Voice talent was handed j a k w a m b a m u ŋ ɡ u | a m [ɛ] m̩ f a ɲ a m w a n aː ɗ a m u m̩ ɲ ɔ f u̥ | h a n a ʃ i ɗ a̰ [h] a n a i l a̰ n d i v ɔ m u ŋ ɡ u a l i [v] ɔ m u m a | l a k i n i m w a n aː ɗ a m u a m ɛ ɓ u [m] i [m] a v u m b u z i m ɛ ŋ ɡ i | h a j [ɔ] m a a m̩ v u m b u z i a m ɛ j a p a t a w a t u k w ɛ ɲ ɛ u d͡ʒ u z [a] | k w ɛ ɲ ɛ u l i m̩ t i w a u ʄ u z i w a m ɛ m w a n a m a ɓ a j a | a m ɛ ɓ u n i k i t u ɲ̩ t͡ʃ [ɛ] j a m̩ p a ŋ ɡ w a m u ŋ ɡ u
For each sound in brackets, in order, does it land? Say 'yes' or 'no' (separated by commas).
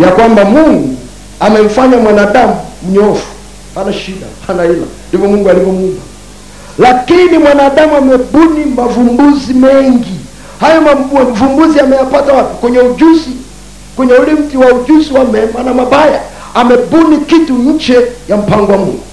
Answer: yes, yes, yes, no, yes, yes, no, yes